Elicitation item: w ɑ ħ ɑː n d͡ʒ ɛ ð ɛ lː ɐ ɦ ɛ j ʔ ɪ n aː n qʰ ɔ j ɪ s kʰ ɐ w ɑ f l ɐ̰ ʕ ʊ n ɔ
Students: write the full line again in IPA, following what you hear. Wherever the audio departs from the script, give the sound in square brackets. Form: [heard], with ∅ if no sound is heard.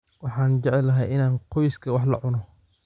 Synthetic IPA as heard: w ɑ ħ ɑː n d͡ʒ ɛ [ʕ] ɛ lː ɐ ɦ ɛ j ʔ ɪ n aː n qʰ ɔ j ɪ s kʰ ɐ w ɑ [ħ] l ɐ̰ ʕ ʊ n ɔ